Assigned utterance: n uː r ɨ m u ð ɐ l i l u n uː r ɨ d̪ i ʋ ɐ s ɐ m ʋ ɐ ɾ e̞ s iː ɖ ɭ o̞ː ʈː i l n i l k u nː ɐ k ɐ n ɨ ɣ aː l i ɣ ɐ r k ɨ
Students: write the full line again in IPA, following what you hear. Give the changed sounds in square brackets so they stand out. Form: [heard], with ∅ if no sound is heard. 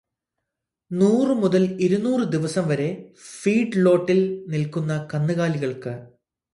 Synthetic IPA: n uː r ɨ m u ð ɐ l i [ɾ] u n uː r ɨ d̪ i ʋ ɐ s ɐ m ʋ ɐ ɾ e̞ [f] iː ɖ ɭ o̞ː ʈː i l n i l k u nː ɐ k ɐ [nː] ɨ ɣ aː l i ɣ ɐ [ɭ] k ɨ